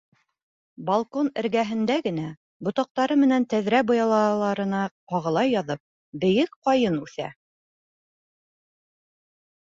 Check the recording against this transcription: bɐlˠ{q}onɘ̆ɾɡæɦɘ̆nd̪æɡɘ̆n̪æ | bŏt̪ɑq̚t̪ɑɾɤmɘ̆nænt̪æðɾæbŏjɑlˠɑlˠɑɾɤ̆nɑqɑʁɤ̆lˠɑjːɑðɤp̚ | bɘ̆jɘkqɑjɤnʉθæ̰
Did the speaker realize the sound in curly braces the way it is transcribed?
no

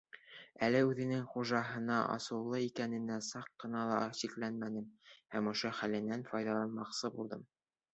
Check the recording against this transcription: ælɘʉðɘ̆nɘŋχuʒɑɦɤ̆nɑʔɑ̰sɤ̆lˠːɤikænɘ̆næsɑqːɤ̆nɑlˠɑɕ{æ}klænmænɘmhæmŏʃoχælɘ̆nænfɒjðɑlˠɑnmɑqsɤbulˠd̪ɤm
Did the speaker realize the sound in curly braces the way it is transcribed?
no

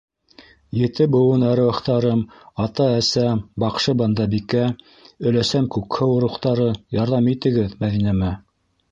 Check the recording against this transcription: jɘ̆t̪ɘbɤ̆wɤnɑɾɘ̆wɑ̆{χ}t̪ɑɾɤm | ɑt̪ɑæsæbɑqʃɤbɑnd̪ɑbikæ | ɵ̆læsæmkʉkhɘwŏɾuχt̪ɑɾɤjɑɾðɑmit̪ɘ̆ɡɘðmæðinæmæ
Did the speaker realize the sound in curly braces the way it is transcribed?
yes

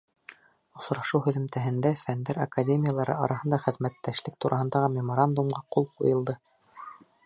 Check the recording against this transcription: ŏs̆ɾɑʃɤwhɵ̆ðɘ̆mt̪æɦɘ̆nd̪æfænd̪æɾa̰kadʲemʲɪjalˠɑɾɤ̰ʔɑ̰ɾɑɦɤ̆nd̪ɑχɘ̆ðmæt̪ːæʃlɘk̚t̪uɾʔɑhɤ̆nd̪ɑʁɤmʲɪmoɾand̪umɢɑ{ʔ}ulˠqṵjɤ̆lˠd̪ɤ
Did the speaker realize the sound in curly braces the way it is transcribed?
no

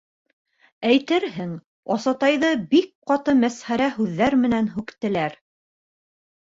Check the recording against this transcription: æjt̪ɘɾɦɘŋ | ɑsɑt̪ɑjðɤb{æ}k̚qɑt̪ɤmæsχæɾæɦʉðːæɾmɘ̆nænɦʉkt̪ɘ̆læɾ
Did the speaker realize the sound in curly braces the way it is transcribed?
no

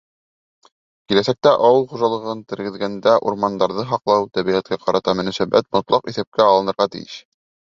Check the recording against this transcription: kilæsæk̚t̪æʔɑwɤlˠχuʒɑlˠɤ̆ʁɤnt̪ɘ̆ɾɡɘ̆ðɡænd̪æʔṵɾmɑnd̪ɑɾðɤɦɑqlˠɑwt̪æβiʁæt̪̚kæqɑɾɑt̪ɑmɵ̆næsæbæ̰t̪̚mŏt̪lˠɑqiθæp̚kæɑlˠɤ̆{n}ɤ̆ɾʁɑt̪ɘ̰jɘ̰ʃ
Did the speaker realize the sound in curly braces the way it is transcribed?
yes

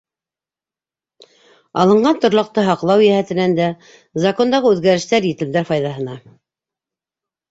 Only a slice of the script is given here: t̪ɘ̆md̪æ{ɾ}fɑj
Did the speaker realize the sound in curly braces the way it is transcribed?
yes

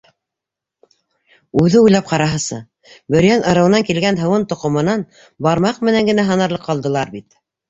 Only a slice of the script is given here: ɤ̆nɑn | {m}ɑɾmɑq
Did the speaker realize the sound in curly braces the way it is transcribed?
no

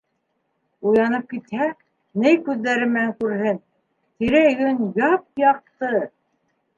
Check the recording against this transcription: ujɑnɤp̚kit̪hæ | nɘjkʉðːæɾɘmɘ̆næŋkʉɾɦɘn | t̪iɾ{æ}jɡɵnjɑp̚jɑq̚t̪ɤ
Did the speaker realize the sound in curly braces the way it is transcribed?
yes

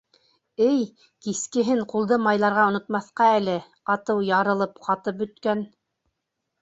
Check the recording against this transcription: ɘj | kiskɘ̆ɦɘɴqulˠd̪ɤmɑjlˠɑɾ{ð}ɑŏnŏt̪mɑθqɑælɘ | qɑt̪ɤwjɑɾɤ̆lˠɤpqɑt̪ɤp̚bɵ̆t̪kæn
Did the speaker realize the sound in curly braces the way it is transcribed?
no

